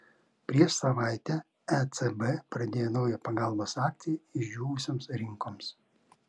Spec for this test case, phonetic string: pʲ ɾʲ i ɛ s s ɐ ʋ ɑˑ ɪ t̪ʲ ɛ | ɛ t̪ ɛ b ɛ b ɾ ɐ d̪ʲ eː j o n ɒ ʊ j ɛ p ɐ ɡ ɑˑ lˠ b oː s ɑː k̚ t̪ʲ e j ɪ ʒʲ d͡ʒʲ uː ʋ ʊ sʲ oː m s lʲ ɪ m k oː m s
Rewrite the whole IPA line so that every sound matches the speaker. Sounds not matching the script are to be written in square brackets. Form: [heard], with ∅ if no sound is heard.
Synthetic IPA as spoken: pʲ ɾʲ i ɛ [ʃ] s ɐ ʋ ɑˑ ɪ t̪ʲ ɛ | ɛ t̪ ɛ b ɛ [p] ɾ ɐ d̪ʲ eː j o n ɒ ʊ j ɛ p ɐ ɡ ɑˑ lˠ b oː s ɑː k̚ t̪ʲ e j ɪ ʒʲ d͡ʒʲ uː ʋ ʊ sʲ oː m s [ɾʲ] ɪ [ŋ] k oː m s

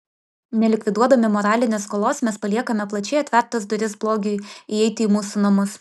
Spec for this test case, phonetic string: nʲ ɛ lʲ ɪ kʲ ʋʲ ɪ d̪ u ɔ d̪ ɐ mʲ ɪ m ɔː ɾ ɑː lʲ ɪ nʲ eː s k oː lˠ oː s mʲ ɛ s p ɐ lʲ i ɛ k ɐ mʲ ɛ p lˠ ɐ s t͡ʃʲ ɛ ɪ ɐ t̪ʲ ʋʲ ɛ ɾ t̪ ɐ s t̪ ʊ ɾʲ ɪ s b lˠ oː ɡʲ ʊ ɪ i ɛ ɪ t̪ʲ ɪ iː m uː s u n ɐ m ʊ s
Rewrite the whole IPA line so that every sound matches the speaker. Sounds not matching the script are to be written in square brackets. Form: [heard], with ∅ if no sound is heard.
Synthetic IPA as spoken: nʲ ɛ lʲ ɪ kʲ ʋʲ ɪ d̪ u ɔ d̪ ɐ mʲ ɪ m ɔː ɾ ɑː lʲ ɪ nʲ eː s k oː lˠ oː s mʲ ɛ s p ɐ lʲ i ɛ k ɐ mʲ ɛ p lˠ ɐ [∅] t͡ʃʲ ɛ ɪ ɐ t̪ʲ ʋʲ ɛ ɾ t̪ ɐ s [d̪] ʊ ɾʲ ɪ s b lˠ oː ɡʲ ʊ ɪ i ɛ ɪ t̪ʲ ɪ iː m uː s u n ɐ m ʊ s

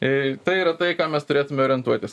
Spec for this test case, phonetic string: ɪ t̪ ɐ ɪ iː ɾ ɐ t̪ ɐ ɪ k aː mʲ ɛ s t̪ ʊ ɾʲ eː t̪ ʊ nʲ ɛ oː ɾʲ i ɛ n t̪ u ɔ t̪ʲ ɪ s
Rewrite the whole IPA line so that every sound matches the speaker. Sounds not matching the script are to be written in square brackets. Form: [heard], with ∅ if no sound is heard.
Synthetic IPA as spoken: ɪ t̪ ɐ ɪ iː ɾ ɐ t̪ ɐ ɪ k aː mʲ ɛ s t̪ ʊ ɾʲ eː t̪ ʊ [mʲ] ɛ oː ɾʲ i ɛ n t̪ u ɔ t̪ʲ ɪ s

